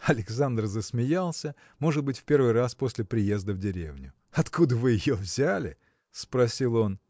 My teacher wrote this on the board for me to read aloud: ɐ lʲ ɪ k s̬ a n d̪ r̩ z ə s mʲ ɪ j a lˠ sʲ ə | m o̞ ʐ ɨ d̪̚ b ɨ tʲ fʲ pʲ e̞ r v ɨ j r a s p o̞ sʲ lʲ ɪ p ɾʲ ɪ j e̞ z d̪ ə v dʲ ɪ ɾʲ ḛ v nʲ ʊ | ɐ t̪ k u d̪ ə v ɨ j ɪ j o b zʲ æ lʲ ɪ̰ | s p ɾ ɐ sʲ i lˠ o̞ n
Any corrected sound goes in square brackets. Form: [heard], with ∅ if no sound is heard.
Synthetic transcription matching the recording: ɐ lʲ ɪ k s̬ a n d̪ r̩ z ə s mʲ ɪ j a lˠ sʲ ə | m o̞ ʐ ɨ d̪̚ b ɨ tʲ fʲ pʲ e̞ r v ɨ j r a s p o̞ sʲ lʲ ɪ p ɾʲ ɪ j e̞ z d̪ ə v dʲ ɪ ɾʲ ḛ v nʲ ʊ | ɐ t̪ k u d̪ ə v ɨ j ɪ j o [v] zʲ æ lʲ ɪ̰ | s p ɾ ɐ sʲ i lˠ o̞ n